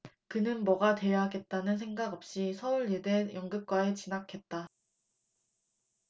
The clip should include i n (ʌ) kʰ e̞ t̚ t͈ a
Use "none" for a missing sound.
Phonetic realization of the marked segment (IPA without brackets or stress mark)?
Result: a